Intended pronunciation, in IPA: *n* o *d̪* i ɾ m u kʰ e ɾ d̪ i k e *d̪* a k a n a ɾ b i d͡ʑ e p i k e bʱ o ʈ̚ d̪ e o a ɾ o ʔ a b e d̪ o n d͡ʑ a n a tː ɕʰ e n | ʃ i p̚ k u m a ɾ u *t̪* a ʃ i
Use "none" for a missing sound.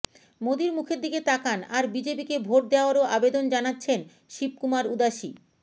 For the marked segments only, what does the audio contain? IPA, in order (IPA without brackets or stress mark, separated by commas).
m, d̪, t̪, d̪